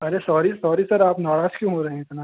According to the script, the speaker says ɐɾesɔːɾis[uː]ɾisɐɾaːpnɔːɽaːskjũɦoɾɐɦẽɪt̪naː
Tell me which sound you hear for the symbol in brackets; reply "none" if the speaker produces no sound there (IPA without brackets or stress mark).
ɔː